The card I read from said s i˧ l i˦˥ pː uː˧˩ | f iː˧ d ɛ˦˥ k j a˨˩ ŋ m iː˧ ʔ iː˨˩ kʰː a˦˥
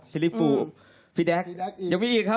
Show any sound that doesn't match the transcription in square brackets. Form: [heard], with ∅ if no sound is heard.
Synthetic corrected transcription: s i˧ l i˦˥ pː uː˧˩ | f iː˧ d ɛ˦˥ k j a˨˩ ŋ m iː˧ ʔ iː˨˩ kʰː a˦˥